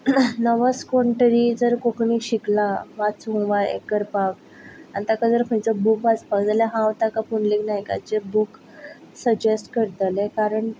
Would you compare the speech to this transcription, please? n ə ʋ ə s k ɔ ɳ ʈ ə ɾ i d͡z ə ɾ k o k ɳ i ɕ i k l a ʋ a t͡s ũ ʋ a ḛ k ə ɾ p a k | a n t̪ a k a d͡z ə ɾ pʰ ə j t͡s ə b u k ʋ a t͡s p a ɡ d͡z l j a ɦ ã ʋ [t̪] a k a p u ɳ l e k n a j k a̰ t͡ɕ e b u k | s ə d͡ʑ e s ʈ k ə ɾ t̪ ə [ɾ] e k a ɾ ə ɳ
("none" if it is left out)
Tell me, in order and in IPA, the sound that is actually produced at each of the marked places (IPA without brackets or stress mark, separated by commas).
t̪, l